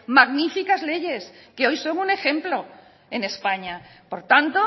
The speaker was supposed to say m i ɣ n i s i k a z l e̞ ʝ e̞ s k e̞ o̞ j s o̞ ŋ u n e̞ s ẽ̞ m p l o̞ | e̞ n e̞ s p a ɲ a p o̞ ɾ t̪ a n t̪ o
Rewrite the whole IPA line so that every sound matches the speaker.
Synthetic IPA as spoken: m a ɣ n i f i k a z l e̞ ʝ e̞ s k e̞ o̞ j s o̞ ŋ u n e̞ x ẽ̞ m p l o̞ | e̞ n e̞ s p a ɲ a p o̞ ɾ t̪ a n t̪ o